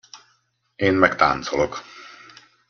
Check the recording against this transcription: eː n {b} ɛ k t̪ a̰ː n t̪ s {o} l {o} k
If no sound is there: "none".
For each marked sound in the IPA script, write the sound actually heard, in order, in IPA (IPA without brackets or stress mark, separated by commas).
m, o, o